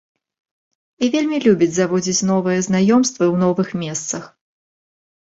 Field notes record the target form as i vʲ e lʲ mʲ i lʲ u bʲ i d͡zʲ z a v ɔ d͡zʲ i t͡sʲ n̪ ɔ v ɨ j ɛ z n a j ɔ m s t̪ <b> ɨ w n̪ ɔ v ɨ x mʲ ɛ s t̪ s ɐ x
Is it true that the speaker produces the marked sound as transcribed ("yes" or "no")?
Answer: no